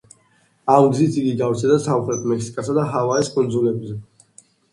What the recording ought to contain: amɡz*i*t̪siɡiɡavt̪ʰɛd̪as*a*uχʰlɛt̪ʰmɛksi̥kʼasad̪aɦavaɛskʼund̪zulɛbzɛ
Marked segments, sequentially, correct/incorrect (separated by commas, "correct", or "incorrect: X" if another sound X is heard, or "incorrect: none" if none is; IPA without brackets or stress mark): correct, correct